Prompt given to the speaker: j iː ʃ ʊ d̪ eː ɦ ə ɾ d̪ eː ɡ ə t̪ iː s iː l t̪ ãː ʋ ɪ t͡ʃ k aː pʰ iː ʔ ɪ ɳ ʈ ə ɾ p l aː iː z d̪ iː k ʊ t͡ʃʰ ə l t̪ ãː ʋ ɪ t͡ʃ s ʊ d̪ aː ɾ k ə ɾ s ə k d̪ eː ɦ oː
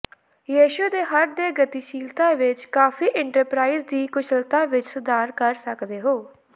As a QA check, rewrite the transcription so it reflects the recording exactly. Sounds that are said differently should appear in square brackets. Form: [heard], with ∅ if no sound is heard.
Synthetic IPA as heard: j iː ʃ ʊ d̪ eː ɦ ə ɾ d̪ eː ɡ ə t̪ iː [ʃ] iː l t̪ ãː ʋ ɪ t͡ʃ k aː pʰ iː ʔ ɪ ɳ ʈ ə ɾ p [ɾ] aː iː z d̪ iː k ʊ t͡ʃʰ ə l t̪ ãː ʋ ɪ t͡ʃ s ʊ d̪ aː ɾ k ə ɾ s ə k d̪ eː ɦ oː